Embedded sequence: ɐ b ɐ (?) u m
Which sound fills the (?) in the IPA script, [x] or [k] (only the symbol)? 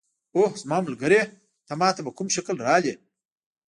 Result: k